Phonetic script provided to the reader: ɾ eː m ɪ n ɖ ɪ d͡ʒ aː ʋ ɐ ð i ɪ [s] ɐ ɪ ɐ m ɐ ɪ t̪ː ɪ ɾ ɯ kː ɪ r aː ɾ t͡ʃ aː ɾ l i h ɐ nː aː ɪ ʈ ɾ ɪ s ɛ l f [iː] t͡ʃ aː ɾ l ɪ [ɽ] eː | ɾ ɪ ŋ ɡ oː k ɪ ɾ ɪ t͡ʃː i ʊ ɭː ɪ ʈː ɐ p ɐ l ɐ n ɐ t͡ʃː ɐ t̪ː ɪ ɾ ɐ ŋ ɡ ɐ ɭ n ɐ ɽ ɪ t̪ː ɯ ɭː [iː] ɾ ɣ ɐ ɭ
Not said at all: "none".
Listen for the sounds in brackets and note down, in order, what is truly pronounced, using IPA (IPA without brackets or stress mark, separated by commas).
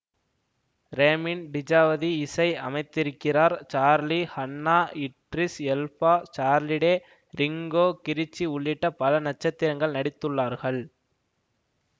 s, aː, ɽ, aː